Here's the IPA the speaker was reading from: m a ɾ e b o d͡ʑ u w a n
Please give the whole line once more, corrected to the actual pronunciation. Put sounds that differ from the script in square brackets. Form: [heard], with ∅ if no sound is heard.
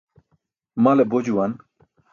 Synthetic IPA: m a [l] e b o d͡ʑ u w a n